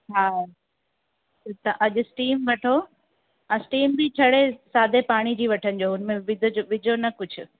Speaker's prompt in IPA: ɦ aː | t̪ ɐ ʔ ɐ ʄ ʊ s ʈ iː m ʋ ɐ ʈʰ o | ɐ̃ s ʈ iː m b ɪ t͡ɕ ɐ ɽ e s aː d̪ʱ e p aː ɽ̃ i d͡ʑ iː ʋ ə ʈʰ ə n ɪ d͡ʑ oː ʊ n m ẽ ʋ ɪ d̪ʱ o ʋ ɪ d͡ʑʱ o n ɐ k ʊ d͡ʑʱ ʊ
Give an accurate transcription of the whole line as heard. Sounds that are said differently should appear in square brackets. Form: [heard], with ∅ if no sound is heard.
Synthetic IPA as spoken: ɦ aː | t̪ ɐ ʔ ɐ ʄ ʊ s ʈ iː m ʋ ɐ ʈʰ o | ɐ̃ s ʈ iː m b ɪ [t͡ɕʰ] ɐ ɽ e s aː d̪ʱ e p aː ɽ̃ i d͡ʑ iː ʋ [ɐ] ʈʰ ə n ɪ d͡ʑ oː ʊ n m ẽ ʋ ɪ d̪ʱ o ʋ ɪ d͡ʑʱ o n ɐ k ʊ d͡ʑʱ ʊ